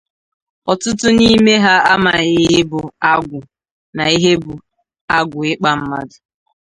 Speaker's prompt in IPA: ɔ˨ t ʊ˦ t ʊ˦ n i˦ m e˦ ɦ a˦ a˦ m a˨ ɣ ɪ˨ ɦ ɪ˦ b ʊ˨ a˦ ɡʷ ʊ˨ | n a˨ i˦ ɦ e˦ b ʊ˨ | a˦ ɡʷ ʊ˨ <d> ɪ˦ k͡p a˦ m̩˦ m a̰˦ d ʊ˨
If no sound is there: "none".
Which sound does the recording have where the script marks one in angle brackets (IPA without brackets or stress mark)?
none